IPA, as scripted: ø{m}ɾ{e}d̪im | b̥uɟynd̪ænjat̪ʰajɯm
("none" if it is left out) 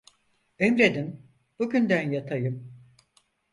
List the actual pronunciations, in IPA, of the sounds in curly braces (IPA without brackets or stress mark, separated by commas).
m, e